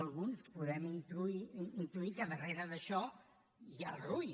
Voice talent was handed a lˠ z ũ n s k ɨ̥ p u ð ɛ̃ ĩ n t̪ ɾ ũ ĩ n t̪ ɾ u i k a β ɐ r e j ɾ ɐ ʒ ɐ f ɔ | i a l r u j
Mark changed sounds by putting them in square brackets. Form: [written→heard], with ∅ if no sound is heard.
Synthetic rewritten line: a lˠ [z→ɣ] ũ n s k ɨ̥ p u ð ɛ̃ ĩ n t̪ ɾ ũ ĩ n t̪ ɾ u i k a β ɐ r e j ɾ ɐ [ʒ→ð] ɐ [f→ʃ] ɔ | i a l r u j